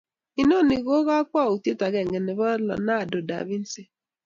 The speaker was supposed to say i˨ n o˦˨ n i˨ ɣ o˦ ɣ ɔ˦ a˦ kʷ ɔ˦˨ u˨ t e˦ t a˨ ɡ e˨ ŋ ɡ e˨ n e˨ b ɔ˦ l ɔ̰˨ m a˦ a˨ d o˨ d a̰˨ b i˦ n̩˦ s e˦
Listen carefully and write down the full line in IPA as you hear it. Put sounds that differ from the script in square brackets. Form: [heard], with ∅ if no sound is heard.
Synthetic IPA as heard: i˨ n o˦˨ n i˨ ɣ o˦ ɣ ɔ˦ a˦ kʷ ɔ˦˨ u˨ t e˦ t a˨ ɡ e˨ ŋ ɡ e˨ n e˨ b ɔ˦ l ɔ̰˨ [n] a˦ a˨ d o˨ d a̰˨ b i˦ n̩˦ s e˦